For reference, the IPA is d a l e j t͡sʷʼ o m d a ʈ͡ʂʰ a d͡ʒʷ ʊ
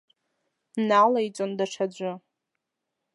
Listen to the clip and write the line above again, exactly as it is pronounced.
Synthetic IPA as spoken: n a l a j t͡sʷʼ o n d a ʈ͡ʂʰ a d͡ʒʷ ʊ